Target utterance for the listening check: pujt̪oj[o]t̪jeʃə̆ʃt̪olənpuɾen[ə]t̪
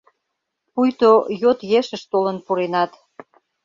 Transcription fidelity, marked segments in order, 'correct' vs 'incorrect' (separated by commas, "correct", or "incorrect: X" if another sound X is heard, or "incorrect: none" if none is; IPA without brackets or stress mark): correct, incorrect: ɑ